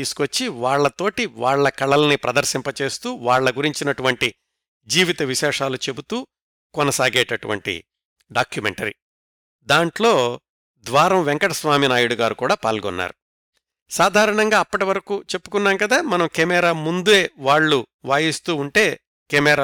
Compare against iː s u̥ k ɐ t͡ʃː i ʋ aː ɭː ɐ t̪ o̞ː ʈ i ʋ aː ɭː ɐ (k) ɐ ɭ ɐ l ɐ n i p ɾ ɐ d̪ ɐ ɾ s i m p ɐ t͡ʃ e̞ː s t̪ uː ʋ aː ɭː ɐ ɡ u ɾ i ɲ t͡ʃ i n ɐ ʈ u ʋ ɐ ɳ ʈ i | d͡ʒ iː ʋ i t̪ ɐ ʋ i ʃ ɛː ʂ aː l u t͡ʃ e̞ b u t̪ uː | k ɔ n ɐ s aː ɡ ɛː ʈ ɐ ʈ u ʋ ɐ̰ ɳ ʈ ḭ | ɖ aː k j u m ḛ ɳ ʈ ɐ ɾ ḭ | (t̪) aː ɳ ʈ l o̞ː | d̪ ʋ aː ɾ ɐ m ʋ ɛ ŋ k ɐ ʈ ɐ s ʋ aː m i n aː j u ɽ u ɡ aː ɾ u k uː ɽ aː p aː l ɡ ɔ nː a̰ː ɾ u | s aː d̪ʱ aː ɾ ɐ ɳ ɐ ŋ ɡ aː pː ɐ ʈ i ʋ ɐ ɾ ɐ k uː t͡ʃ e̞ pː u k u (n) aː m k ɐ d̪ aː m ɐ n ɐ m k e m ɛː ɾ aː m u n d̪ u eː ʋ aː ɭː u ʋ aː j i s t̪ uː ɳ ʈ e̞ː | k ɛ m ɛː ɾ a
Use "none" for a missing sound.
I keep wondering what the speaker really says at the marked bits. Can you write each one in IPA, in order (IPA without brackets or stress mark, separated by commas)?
k, d̪, nː